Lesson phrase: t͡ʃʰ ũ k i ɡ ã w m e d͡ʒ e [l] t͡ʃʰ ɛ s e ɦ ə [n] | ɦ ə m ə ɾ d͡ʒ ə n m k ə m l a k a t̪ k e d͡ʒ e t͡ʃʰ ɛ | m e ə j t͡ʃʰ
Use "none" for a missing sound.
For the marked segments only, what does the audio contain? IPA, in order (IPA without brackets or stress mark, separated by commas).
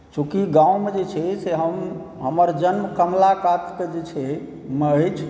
none, m